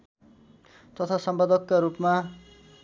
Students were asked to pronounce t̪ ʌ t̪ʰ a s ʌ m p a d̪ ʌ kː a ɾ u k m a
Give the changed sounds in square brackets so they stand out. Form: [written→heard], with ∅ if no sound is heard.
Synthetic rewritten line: t̪ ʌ t̪ʰ a s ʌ m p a d̪ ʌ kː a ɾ u [k→p] m a

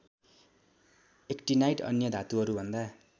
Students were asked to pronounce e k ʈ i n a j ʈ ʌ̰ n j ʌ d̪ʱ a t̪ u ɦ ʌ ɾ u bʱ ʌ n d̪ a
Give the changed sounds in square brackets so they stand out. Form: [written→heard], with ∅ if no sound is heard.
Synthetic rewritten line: e k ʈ i n a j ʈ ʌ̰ n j ʌ d̪ʱ a t̪ u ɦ ʌ ɾ u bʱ ʌ n d̪ a

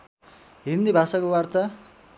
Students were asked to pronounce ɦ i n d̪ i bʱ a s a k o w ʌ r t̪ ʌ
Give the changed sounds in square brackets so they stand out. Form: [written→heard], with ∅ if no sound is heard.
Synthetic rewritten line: ɦ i n d̪ i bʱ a s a k o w [ʌ→a] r t̪ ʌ

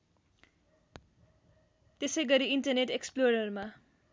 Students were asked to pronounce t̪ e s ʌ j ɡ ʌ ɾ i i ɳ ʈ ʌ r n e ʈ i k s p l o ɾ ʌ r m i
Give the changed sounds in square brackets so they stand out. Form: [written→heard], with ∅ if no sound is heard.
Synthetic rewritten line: t̪ e s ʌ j ɡ ʌ ɾ i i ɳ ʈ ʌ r n e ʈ [i→e] k s p l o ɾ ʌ r m [i→a]

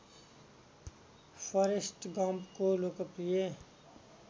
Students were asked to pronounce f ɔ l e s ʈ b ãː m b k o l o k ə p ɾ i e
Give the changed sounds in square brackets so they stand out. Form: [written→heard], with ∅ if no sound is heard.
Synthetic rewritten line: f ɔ [l→ɾ] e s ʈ [b→ɡ] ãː m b k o l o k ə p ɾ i e

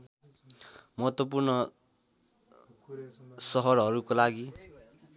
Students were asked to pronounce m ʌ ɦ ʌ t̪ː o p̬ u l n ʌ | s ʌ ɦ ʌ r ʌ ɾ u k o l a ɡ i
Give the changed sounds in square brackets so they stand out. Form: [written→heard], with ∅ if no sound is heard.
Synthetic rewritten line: m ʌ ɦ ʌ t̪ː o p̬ u [l→r] n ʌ | s ʌ ɦ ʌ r ʌ ɾ u k o l a ɡ i

